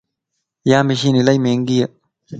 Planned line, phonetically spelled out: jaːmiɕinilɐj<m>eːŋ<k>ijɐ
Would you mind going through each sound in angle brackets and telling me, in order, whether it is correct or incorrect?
correct, incorrect: ɡ

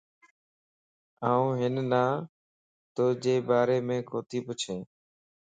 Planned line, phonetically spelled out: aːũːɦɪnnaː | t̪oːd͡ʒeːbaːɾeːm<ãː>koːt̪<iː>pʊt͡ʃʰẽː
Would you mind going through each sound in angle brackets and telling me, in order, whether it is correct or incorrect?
incorrect: ẽː, correct

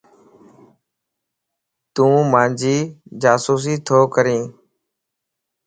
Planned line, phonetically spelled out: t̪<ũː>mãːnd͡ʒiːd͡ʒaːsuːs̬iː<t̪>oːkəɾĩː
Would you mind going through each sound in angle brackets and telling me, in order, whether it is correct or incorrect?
correct, incorrect: t̪ʰ

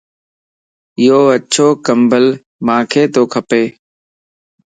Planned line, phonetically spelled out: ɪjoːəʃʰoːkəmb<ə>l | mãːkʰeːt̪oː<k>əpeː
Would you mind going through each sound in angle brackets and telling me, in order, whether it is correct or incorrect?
correct, incorrect: kʰ

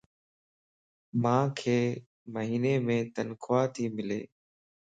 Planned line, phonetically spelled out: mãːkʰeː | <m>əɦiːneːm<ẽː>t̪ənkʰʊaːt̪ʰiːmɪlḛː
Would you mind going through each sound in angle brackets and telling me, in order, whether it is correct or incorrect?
correct, correct

